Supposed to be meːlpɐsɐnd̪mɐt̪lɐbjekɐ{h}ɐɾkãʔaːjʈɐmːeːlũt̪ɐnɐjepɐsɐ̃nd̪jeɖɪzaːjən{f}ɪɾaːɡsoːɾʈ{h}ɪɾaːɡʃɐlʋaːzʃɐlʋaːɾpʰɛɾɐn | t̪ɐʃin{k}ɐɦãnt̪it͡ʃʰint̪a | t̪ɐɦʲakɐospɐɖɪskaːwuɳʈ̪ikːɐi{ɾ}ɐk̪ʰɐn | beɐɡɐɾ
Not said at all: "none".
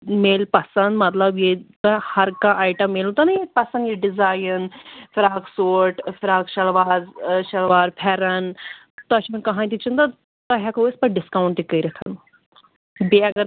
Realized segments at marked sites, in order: h, f, f, k, ɾ

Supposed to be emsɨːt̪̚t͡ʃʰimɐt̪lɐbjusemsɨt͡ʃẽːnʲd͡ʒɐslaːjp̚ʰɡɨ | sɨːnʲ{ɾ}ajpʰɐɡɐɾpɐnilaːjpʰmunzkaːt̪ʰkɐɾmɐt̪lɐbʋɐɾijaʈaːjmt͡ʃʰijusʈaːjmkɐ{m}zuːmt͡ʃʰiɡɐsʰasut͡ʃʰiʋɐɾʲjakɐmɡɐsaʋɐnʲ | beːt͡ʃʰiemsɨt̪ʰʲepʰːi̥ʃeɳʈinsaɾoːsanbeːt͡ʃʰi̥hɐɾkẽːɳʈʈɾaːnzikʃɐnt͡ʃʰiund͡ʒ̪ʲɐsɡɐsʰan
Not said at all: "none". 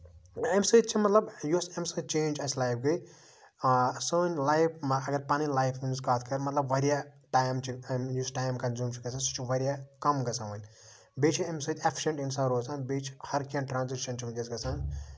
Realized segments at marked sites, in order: l, n

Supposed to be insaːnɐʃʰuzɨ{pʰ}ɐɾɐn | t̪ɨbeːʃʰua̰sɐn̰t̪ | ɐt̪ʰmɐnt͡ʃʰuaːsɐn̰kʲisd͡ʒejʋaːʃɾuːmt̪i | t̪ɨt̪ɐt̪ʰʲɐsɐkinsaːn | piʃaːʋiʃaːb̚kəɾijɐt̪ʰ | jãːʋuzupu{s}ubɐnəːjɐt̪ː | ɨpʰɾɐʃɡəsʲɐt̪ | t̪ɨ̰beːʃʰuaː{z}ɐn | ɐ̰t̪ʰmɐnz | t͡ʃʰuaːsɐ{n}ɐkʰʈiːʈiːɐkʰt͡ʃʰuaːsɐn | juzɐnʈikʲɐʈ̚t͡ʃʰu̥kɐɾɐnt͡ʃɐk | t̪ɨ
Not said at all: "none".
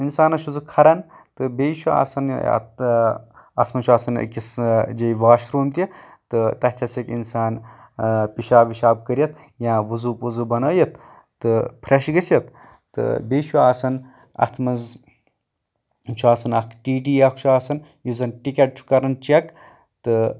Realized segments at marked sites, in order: kʰ, z, s, n

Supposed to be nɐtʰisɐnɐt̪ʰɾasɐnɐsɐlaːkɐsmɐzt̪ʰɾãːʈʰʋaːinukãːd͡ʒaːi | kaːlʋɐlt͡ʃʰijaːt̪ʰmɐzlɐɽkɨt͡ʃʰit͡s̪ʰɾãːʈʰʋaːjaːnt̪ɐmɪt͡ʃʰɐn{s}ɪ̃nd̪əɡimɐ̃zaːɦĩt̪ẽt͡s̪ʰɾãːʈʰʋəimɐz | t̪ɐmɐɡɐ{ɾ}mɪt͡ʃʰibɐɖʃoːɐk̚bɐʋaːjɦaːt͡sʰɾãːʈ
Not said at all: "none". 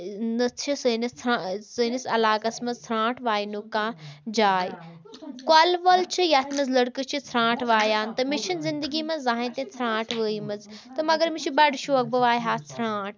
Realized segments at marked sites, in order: z, ɾ

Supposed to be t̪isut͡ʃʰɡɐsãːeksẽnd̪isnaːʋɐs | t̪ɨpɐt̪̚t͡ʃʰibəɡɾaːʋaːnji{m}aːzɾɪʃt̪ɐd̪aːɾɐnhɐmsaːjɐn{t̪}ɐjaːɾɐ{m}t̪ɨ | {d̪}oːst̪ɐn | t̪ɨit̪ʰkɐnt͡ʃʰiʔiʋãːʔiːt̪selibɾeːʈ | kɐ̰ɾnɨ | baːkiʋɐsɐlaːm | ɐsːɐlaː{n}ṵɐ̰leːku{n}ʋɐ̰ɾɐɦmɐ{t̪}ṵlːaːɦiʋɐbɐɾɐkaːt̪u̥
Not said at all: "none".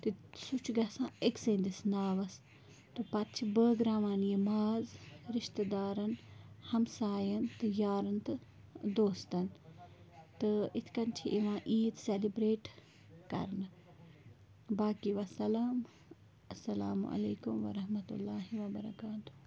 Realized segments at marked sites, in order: m, t̪, n, d̪, m, m, t̪

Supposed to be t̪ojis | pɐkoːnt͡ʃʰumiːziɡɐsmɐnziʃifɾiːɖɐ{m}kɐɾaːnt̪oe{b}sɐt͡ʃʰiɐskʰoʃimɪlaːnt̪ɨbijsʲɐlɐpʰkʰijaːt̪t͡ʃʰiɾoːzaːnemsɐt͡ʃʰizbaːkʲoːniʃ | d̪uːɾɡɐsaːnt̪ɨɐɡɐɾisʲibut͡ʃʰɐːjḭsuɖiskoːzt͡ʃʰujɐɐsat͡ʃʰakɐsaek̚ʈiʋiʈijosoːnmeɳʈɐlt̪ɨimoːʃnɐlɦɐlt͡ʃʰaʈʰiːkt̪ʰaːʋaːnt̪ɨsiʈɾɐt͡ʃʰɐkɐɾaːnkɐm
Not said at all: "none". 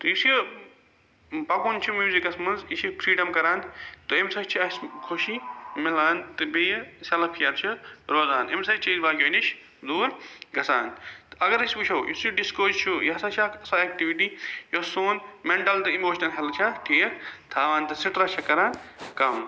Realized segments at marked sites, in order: m, m

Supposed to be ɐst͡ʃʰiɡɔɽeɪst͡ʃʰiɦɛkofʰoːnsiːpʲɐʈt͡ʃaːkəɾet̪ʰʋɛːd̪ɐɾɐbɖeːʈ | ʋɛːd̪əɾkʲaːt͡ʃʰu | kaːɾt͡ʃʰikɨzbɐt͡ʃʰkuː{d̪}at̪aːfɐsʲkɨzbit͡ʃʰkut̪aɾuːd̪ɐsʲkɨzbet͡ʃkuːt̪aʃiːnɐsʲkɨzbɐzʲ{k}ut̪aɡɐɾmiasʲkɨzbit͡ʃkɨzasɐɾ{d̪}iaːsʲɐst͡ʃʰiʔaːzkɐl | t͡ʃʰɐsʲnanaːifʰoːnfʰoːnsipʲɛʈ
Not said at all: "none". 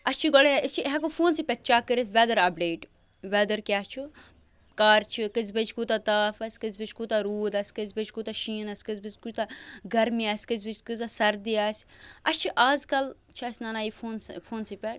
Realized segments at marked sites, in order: t̪, k, d̪

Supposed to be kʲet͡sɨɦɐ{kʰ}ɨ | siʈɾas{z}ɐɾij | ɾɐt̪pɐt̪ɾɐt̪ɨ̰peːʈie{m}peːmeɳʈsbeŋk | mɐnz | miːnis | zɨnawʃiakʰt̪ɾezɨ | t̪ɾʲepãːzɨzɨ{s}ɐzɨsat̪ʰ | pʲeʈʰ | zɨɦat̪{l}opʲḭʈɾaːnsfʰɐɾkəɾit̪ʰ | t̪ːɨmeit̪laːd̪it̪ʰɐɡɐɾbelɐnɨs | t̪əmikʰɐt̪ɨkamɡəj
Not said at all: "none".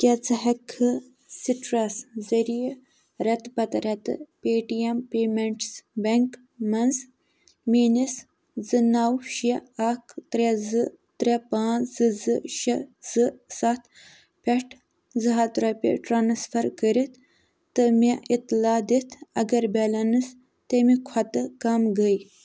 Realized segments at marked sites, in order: kʰ, z, m, ʃ, ɾ

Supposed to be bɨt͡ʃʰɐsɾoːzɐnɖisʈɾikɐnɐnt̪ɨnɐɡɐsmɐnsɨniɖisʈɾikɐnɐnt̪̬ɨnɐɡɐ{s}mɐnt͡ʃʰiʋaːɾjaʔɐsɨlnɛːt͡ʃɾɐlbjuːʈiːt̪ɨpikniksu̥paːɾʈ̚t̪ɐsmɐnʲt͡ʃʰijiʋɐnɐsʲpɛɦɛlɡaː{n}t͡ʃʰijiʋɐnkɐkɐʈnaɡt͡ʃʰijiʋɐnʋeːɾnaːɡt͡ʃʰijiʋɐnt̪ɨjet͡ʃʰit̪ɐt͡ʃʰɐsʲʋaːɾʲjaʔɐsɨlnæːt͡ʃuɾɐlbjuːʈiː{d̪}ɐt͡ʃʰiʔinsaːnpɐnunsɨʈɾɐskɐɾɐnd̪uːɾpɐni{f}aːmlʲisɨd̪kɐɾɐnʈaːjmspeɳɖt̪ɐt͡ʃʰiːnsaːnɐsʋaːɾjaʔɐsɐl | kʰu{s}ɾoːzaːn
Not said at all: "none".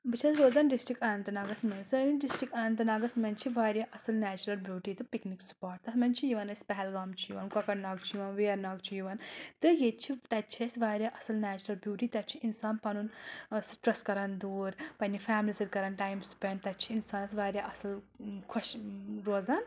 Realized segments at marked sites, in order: s, m, t̪, f, ʃ

